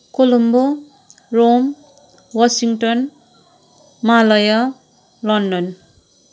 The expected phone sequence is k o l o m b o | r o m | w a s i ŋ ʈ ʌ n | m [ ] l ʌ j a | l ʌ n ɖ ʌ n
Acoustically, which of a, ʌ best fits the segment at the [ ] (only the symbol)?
a